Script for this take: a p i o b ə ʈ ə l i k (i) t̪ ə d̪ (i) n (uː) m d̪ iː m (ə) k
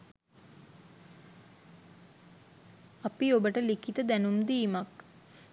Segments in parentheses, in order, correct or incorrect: correct, incorrect: æ, incorrect: u, incorrect: a

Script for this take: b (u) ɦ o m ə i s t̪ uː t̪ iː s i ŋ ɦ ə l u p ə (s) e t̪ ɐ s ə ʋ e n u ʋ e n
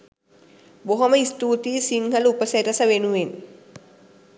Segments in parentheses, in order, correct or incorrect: incorrect: o, correct

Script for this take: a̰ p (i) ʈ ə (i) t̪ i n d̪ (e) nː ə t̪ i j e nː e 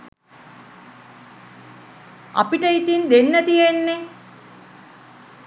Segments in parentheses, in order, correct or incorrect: correct, correct, correct

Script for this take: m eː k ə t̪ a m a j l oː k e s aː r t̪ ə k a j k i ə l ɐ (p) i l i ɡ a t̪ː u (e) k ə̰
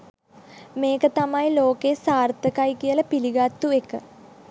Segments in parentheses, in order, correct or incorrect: correct, correct

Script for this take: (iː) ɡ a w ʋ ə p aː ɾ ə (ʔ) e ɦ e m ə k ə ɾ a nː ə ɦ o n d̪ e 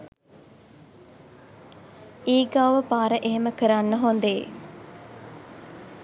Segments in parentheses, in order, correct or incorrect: correct, correct

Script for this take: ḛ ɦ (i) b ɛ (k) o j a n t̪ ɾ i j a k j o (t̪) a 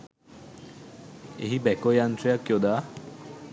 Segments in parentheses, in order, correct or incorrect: correct, correct, incorrect: d̪

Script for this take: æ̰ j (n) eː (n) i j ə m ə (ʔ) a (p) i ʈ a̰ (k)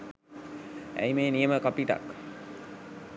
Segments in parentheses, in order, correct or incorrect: incorrect: m, correct, incorrect: k, correct, correct

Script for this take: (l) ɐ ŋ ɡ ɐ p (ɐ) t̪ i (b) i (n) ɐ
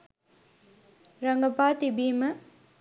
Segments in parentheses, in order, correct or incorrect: incorrect: ɾ, incorrect: a, correct, incorrect: m

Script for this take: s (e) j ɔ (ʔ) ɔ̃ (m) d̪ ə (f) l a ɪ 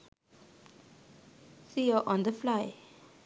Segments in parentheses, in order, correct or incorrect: incorrect: i, correct, incorrect: n, correct

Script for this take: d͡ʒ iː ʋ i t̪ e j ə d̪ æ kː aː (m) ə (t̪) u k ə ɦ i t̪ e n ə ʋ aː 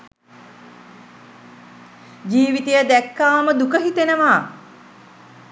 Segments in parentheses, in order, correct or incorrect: correct, incorrect: d̪

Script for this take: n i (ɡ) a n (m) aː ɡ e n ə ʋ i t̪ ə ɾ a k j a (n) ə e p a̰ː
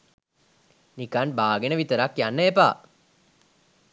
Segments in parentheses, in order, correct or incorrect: incorrect: k, incorrect: b, incorrect: nː

